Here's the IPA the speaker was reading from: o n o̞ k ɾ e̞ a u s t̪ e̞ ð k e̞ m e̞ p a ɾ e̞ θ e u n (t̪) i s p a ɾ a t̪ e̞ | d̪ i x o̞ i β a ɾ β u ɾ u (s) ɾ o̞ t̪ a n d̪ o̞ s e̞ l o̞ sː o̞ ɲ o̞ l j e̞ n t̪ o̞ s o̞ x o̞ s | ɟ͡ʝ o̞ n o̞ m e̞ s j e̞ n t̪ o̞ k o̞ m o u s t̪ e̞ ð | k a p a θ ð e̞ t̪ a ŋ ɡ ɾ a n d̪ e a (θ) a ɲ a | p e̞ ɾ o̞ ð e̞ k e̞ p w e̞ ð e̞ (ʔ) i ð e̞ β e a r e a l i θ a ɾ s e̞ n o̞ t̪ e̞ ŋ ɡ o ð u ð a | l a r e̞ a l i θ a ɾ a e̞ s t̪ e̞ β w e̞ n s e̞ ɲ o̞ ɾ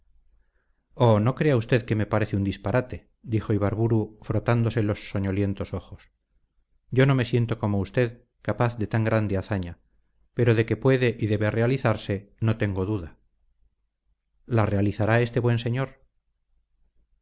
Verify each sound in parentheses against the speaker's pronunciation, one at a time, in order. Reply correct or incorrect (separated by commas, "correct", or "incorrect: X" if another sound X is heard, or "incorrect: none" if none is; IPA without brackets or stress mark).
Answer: incorrect: d̪, incorrect: f, correct, correct